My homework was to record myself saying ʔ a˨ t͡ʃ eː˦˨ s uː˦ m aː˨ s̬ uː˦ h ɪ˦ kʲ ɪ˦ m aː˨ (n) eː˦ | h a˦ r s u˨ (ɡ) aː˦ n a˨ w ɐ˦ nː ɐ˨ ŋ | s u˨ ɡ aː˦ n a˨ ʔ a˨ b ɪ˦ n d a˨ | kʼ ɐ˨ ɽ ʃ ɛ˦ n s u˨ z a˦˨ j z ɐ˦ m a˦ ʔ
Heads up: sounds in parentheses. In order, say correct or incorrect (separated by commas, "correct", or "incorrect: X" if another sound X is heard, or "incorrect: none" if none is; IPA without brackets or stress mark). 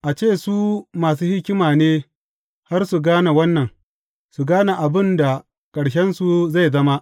correct, correct